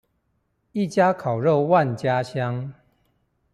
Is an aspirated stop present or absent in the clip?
present